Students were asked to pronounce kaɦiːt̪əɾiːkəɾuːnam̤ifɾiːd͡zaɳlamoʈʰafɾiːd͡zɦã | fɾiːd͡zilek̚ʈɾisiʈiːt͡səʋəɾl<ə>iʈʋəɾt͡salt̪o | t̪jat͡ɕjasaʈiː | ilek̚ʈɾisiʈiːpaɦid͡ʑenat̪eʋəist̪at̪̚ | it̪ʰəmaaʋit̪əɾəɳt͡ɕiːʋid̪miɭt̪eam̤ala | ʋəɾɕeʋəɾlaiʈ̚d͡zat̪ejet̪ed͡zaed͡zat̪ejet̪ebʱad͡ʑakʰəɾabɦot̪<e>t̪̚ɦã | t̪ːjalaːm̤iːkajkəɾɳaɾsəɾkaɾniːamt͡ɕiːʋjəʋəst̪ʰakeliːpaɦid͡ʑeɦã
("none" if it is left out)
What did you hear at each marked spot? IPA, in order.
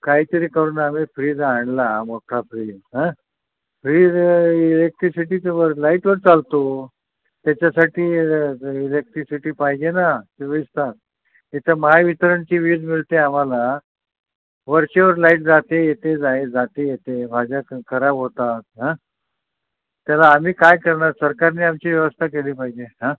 a, a

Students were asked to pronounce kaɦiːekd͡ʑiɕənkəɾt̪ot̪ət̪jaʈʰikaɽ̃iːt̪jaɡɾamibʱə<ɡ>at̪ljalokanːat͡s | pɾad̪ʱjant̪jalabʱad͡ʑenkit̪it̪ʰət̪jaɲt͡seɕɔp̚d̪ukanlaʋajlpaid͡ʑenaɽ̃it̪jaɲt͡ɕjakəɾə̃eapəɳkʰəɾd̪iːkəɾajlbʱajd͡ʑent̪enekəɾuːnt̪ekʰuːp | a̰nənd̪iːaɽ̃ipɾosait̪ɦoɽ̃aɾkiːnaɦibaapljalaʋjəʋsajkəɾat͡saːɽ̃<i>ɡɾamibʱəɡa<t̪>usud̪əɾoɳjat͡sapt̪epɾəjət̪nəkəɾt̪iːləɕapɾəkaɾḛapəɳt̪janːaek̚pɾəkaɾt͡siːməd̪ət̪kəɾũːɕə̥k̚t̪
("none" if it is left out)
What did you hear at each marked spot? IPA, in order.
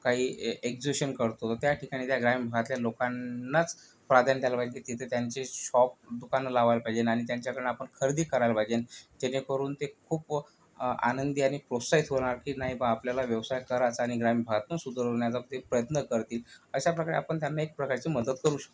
ɡ, i, t̪

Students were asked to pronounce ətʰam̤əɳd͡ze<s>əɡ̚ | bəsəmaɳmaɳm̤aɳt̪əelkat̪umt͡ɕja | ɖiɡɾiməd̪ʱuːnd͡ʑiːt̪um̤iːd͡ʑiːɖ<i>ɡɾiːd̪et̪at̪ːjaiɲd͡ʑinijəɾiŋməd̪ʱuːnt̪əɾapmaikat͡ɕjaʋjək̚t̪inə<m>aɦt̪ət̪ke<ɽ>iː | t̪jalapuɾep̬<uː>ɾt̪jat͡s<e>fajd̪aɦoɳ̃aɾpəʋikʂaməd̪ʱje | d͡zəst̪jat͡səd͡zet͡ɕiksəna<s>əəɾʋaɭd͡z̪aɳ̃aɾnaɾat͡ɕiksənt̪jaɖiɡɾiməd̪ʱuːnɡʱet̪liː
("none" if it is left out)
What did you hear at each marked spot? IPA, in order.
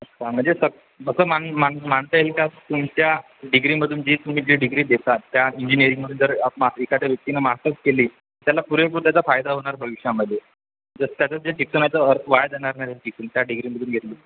s, i, m, l, u, a, t͡s

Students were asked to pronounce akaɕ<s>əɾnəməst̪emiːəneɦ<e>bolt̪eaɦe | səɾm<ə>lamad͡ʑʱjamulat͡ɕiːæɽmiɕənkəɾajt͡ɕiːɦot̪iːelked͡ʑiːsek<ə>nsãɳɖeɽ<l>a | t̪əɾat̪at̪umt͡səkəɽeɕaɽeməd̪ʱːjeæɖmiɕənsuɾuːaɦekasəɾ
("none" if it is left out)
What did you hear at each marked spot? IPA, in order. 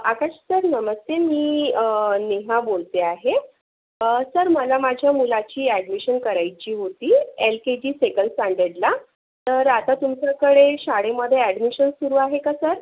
s, a, ə, ə, l

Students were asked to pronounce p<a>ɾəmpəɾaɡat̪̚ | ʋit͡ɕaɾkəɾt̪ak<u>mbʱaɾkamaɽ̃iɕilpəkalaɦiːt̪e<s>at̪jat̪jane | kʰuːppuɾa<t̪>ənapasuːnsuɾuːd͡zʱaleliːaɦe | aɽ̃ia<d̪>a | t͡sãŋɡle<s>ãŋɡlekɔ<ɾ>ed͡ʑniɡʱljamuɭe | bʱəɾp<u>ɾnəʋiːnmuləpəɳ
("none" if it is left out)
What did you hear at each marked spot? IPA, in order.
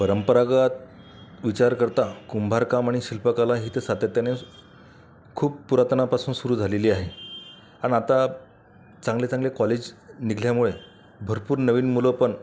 ə, u, s, t̪, t̪, t͡s, l, uː

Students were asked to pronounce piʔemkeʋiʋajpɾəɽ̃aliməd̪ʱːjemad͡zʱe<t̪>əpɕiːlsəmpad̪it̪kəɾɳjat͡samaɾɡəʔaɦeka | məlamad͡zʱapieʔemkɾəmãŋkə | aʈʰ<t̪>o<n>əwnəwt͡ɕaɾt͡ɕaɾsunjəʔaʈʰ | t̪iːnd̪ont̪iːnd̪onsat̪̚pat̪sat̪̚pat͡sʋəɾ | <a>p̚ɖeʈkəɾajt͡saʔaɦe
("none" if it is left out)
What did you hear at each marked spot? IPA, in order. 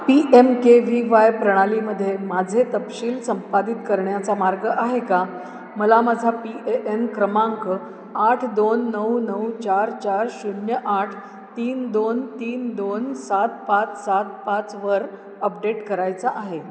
t̪, d̪, nː, ə

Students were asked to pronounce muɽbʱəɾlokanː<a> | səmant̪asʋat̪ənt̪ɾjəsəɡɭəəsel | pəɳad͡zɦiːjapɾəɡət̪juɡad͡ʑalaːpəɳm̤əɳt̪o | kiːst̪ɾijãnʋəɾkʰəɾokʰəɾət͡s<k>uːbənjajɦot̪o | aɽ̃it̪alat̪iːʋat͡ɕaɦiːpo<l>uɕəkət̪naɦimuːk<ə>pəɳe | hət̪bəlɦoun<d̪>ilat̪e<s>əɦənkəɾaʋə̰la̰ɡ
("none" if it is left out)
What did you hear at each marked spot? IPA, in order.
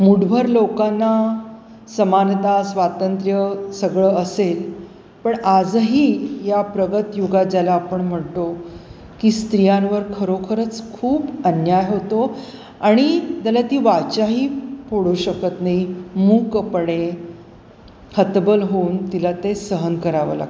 a, kʰ, ɽ, ə, t̪, s

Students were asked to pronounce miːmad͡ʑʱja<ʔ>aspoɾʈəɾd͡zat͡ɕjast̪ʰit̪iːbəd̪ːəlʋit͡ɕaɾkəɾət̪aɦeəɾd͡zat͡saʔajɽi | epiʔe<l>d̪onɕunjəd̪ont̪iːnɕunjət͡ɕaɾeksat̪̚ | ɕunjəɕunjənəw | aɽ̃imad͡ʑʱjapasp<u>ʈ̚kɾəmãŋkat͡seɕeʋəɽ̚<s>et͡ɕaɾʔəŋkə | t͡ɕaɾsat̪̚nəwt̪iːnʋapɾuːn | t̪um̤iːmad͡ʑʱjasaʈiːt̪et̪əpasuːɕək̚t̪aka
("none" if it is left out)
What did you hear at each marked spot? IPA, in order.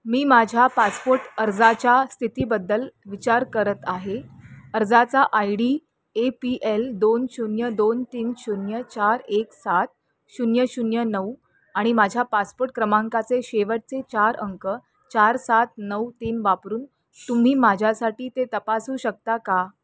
p, l, o, t͡s

